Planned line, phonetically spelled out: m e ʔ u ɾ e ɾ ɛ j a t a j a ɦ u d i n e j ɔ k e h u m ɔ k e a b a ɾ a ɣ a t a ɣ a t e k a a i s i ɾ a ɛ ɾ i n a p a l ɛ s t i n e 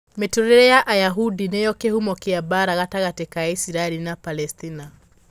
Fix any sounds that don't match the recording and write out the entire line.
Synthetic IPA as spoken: m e t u ɾ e ɾ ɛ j a ʔ a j a ɦ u d i n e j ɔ k e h u m ɔ k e a b a ɾ a ɣ a t a ɣ a t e k a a i s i ɾ a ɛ l i n a p a l ɛ s t i n a